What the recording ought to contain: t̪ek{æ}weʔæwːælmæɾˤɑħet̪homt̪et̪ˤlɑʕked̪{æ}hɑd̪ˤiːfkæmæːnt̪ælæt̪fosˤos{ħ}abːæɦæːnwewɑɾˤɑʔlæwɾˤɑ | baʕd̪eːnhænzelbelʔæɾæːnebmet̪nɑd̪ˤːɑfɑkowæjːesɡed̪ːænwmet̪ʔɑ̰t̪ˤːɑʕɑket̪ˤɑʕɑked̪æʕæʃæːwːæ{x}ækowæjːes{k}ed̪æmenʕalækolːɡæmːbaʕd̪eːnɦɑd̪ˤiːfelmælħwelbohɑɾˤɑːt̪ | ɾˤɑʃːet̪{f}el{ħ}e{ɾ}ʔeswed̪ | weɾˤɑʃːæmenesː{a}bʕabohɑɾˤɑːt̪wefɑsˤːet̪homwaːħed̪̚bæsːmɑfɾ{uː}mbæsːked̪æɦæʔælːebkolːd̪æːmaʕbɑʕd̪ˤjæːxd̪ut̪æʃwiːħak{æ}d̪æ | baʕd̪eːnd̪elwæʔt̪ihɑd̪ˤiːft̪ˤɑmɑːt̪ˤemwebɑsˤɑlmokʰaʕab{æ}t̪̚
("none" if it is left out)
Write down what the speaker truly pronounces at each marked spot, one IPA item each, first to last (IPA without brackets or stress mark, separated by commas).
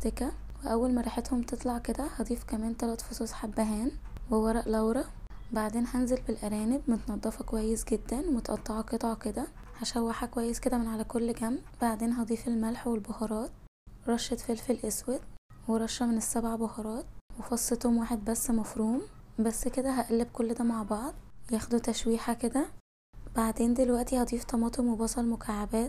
æ, æ, ħ, ħ, k, f, f, l, æ, uː, e, æː